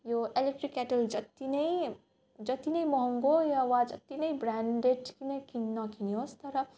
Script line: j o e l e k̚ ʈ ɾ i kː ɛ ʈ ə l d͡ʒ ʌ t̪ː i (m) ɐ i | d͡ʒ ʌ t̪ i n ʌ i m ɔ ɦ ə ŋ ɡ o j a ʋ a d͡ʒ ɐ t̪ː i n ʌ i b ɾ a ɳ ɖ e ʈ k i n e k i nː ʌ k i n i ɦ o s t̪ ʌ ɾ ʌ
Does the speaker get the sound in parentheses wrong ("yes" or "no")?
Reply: yes